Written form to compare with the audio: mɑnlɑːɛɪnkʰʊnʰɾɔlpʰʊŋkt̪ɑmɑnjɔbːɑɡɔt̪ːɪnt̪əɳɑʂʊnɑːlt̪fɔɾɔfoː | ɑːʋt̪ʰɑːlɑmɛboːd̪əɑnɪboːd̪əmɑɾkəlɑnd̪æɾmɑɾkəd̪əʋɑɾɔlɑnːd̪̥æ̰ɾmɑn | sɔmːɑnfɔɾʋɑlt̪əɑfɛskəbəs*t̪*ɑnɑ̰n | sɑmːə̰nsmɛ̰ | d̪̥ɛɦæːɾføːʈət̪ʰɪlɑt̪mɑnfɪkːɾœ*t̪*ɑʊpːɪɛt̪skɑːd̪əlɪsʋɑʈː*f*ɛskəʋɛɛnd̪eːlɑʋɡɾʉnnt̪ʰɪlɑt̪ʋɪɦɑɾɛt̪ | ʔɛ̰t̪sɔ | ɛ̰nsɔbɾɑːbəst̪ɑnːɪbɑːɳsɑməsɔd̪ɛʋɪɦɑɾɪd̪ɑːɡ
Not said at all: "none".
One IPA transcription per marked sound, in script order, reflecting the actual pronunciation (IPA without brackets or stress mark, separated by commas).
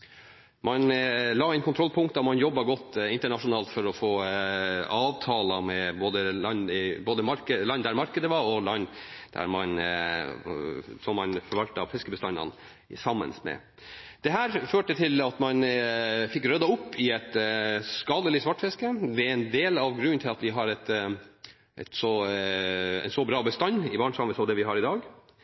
t̪, d̪, f